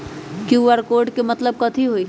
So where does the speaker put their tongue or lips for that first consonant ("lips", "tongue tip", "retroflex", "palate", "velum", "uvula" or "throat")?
velum